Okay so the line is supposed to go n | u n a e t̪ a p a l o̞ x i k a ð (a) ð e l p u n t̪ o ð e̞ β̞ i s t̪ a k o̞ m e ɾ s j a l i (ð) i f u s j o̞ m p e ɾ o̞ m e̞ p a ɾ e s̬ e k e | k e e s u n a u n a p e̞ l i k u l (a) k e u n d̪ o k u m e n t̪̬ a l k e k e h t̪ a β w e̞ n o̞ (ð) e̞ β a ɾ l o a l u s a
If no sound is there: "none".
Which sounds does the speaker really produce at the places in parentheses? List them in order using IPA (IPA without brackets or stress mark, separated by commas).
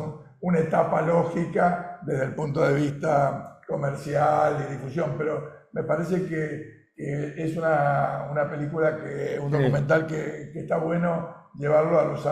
e, ð, a, ʒ